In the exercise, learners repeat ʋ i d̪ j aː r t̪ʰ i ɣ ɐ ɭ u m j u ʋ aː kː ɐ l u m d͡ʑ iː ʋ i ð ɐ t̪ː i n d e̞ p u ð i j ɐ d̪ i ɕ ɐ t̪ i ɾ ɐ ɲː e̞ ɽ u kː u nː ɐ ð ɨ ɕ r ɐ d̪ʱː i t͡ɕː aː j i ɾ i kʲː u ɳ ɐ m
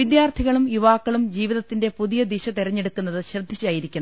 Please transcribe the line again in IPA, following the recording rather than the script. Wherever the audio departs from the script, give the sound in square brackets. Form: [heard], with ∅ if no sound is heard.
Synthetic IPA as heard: ʋ i d̪ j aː r t̪ʰ i ɣ ɐ ɭ u m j u ʋ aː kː ɐ [ɭ] u m d͡ʑ iː ʋ i ð ɐ t̪ː i n d e̞ p u ð i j ɐ d̪ i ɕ ɐ t̪ i ɾ ɐ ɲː e̞ ɽ u kː u nː ɐ ð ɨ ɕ r ɐ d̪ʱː i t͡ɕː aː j i ɾ i kʲː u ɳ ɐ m

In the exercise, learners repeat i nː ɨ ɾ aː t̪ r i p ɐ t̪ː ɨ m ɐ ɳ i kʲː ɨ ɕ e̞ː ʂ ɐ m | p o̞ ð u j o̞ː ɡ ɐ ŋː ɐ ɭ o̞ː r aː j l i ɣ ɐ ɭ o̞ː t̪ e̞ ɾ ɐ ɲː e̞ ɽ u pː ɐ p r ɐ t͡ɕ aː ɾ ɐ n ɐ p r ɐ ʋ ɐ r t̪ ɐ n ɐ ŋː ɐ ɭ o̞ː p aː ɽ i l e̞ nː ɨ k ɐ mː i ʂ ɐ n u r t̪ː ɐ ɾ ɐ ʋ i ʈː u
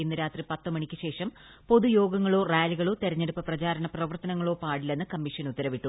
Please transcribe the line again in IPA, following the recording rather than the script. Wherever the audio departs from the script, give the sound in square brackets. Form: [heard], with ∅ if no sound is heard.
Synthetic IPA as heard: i nː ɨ ɾ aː t̪ r i p ɐ t̪ː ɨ m ɐ ɳ i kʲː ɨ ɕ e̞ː ʂ ɐ m | p o̞ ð u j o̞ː ɡ ɐ ŋː ɐ ɭ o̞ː r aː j l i ɣ ɐ ɭ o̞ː t̪ e̞ ɾ ɐ ɲː e̞ ɽ u pː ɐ p r ɐ t͡ɕ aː ɾ ɐ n ɐ p r ɐ ʋ ɐ r t̪ ɐ n ɐ ŋː ɐ ɭ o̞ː p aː ɽ i l e̞ nː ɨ k ɐ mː i ʂ ɐ n u [∅] t̪ː ɐ ɾ ɐ ʋ i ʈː u

